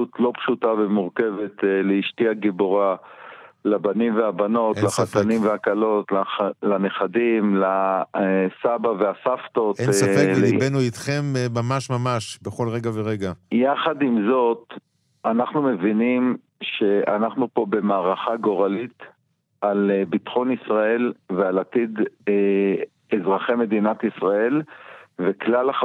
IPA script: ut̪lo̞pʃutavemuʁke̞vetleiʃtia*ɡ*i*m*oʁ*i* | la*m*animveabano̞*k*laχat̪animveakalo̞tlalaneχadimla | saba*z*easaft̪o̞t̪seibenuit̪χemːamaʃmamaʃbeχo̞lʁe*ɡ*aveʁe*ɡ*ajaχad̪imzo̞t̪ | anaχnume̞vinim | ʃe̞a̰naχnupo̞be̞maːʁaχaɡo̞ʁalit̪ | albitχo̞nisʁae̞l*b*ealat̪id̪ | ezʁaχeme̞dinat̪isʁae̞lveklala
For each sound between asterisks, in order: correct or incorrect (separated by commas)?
correct, incorrect, incorrect, incorrect, incorrect, incorrect, correct, correct, incorrect